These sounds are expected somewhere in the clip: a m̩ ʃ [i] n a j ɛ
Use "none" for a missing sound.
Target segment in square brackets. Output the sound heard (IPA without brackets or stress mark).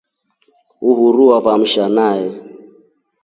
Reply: a